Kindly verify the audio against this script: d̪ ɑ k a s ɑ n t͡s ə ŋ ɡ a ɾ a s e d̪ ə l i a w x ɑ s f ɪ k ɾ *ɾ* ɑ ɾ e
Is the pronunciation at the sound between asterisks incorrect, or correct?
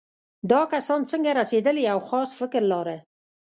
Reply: incorrect